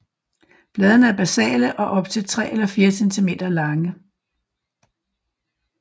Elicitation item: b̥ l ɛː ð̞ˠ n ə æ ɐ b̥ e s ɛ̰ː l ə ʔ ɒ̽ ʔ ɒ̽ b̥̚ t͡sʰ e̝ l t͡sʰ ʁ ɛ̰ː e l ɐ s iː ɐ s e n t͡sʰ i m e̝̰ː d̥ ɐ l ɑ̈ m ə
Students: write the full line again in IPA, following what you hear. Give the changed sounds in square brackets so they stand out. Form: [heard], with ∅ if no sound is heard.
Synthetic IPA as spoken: b̥ l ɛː ð̞ˠ n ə æ ɐ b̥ [æ] s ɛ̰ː l ə ʔ ɒ̽ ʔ ɒ̽ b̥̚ t͡sʰ e̝ l t͡sʰ ʁ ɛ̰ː e l ɐ [f] iː ɐ s e n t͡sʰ i m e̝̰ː d̥ ɐ l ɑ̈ [ŋ] ə